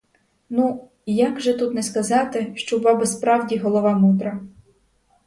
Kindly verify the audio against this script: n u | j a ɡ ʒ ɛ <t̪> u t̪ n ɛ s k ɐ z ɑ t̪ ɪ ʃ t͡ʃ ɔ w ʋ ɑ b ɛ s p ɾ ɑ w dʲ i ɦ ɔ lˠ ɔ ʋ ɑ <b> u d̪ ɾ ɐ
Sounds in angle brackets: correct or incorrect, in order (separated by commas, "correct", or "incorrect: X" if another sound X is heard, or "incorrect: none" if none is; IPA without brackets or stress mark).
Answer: correct, incorrect: m